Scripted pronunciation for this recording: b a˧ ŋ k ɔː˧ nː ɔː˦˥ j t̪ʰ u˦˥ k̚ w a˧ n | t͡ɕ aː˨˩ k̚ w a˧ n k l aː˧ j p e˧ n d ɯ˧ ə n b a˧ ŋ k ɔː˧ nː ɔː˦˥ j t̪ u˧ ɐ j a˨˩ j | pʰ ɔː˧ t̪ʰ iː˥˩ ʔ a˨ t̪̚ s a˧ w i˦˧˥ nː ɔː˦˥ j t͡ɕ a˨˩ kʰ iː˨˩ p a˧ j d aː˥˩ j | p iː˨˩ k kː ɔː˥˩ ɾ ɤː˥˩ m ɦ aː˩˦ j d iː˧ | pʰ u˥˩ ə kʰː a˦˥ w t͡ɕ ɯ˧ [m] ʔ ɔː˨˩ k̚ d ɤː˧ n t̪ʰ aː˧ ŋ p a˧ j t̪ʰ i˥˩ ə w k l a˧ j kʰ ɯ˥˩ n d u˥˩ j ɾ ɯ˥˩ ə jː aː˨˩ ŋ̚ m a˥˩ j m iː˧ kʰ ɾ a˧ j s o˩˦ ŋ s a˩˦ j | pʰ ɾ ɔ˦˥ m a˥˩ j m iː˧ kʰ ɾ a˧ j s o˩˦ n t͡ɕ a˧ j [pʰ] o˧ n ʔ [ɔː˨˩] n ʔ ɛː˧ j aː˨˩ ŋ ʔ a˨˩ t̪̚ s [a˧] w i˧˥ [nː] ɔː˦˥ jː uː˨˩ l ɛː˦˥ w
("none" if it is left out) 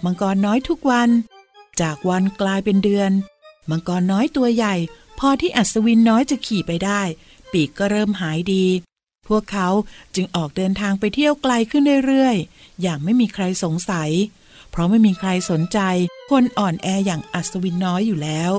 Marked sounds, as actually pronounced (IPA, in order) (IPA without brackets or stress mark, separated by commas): ŋ, kʰ, ɔː˨˩, a˧, nː